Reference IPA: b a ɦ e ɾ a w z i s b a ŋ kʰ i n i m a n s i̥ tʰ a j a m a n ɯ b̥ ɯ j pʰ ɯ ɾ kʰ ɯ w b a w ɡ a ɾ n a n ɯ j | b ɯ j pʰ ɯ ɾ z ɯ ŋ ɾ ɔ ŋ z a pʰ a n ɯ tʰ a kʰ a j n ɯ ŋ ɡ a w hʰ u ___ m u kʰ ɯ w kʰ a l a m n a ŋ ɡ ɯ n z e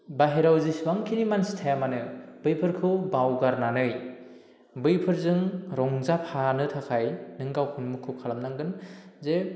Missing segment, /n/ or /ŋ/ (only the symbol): n